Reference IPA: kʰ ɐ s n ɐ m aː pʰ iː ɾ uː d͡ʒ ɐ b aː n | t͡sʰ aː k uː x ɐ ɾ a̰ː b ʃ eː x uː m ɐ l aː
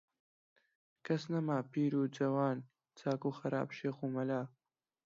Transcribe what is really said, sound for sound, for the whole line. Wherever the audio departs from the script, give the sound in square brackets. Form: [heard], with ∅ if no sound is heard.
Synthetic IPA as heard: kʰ ɐ s n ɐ m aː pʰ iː ɾ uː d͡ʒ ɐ [w] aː n | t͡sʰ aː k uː x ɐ ɾ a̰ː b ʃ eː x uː m ɐ l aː